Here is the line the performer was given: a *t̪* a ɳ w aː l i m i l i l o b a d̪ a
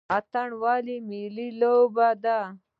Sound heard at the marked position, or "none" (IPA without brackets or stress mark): t̪